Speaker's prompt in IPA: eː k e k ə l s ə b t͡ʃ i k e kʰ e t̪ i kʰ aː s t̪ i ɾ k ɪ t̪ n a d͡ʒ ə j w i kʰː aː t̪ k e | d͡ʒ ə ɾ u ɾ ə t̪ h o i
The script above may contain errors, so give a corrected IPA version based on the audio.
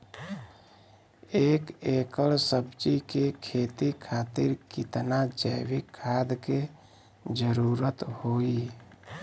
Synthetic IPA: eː k e k ə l s ə b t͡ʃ i k e kʰ e t̪ i kʰ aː t̪ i ɾ k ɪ t̪ n a d͡ʒ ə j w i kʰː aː d̪ k e | d͡ʒ ə ɾ u ɾ ə t̪ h o i